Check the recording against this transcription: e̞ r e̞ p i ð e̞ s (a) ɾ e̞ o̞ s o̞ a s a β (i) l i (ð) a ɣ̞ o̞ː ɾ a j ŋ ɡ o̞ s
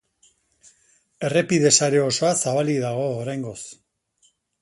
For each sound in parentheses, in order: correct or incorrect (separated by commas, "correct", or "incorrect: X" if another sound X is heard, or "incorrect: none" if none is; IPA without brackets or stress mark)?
correct, incorrect: a, correct